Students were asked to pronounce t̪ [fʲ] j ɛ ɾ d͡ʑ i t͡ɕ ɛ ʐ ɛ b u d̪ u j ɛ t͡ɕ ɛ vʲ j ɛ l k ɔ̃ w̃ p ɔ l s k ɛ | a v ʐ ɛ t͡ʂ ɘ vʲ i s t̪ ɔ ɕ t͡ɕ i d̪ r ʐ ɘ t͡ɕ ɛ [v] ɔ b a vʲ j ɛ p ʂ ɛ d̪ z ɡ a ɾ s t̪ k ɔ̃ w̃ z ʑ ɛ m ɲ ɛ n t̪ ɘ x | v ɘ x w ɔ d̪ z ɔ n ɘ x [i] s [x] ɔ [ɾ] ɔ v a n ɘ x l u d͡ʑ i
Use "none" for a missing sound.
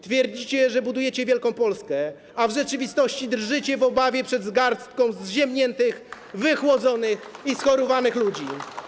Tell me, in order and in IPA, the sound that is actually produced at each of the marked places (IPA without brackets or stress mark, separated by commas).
fʲ, v, i, x, ɾ